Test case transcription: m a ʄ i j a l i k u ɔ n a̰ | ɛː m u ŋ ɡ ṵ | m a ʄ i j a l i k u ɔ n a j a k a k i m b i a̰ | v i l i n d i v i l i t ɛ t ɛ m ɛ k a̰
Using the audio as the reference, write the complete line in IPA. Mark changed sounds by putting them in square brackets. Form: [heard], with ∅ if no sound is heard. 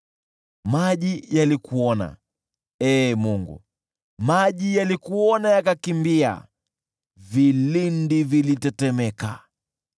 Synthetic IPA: m a ʄ i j a l i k u ɔ n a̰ | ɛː m u ŋ ɡ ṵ | m a ʄ i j a l i k u ɔ n a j a k a k i m b i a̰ | v i l i n d i v i l i t ɛ t ɛ m ɛ k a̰